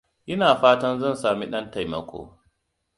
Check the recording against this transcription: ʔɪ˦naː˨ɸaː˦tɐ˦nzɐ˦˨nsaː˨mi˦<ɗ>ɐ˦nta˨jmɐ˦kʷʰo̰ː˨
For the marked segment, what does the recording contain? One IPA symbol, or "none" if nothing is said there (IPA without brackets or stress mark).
ɗ